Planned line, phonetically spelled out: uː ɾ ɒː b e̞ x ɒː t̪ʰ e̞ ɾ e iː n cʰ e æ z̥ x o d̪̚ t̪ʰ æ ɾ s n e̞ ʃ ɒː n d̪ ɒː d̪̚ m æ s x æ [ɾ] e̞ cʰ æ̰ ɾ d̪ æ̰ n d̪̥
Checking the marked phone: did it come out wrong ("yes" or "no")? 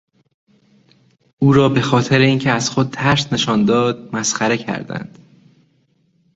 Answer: no